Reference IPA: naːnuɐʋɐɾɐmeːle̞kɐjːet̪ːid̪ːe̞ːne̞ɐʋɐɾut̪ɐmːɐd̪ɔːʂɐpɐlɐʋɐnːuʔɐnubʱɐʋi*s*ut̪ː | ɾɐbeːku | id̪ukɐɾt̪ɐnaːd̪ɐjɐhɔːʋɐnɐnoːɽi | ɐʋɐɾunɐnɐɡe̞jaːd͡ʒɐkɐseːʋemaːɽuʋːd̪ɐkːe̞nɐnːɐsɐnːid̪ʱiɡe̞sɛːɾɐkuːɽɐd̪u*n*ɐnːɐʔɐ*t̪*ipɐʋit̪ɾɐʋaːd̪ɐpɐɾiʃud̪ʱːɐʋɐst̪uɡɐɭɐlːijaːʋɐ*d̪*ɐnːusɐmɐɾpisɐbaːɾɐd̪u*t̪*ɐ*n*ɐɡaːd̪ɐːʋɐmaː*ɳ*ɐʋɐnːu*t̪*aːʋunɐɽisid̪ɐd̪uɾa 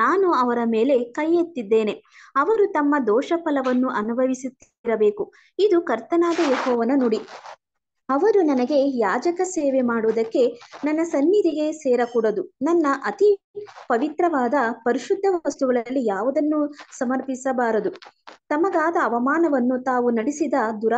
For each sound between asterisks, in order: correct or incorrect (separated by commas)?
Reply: correct, correct, correct, correct, correct, incorrect, incorrect, correct